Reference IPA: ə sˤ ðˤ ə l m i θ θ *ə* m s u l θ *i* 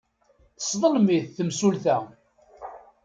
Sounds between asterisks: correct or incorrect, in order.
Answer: correct, incorrect: æ

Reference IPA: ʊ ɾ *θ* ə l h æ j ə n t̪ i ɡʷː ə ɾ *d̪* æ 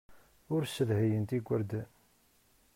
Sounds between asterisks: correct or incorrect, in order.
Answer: incorrect: s, correct

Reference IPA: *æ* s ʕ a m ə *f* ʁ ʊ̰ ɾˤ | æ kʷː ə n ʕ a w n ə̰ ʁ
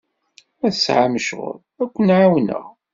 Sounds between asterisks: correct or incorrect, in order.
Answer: correct, incorrect: ʃ

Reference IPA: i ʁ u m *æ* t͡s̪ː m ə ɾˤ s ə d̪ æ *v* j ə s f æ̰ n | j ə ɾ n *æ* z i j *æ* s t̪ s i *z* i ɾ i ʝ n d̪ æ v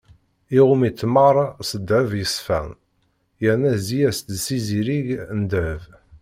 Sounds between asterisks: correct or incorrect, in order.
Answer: incorrect: i, correct, correct, correct, correct

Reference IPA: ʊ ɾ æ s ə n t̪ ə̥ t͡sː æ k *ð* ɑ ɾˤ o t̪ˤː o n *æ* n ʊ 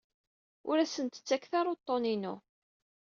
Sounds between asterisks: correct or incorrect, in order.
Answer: incorrect: θ, incorrect: i

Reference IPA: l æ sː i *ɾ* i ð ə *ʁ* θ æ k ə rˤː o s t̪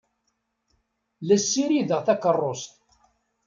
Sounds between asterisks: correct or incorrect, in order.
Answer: correct, correct

